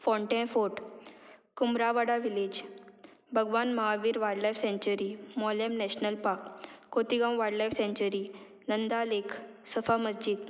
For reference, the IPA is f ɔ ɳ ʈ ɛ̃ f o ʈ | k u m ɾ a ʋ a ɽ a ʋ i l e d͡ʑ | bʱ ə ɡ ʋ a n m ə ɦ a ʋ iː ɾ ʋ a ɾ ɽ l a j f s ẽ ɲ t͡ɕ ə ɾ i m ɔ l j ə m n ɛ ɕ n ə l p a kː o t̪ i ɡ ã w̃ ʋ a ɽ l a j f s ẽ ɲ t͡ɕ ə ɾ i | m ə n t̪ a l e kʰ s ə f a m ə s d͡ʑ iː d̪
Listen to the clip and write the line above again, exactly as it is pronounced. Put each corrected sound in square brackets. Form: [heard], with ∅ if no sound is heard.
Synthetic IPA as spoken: f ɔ ɳ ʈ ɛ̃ f o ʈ | k u m ɾ a ʋ a ɽ a ʋ i l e d͡ʑ | bʱ ə ɡ ʋ a n m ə ɦ a ʋ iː ɾ ʋ a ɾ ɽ l a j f s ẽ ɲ t͡ɕ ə ɾ i m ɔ l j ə m n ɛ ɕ n ə l p a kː o t̪ i ɡ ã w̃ ʋ a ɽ l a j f s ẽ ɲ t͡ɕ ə ɾ i | [n] ə n [d̪] a l e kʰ s ə f a m ə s d͡ʑ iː d̪